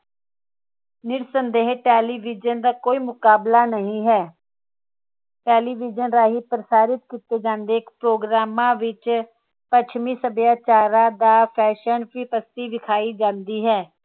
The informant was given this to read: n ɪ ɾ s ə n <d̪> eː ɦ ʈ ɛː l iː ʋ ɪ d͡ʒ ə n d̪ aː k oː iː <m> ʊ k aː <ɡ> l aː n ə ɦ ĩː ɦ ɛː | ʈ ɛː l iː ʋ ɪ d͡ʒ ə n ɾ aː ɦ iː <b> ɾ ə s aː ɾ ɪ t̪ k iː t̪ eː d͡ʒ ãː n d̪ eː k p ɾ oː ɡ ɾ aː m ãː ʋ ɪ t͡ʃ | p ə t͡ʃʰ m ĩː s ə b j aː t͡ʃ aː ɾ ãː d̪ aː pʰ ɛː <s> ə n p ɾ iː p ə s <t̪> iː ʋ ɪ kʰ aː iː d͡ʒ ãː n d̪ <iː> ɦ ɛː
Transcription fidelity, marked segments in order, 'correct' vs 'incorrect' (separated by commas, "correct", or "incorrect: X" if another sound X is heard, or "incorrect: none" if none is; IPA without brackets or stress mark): correct, correct, incorrect: b, incorrect: p, incorrect: ʃ, correct, correct